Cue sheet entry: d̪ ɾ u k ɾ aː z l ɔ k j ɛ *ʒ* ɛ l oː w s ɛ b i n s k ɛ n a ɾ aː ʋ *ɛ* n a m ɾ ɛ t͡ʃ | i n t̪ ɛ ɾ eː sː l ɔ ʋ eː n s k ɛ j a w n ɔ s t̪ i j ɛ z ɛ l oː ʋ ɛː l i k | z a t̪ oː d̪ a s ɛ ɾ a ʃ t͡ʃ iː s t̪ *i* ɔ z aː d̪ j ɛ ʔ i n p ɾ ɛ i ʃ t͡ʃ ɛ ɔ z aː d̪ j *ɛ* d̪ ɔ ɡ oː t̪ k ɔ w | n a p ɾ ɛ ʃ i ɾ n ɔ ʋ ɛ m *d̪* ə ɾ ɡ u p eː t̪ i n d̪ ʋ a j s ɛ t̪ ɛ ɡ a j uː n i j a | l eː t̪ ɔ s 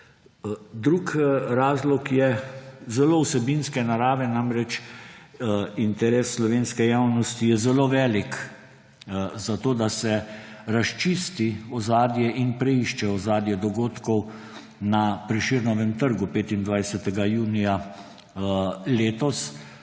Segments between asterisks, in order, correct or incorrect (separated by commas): incorrect, correct, correct, correct, incorrect